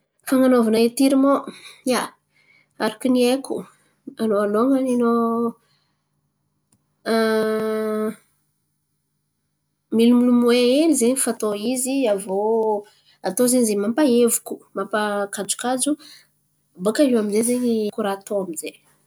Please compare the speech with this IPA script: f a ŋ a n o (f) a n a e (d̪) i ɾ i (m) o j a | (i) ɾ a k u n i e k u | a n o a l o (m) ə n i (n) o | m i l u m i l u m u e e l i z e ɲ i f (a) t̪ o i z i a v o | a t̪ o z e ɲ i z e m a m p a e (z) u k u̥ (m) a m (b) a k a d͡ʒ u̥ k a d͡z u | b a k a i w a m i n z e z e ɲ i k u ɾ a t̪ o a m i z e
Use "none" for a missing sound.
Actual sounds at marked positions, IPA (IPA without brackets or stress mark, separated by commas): v, t̪, m, a, ŋ, n, a, v, m, p